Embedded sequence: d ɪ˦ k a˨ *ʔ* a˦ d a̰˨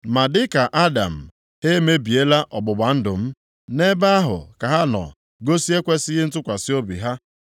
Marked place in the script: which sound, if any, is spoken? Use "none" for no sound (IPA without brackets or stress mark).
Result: ʔ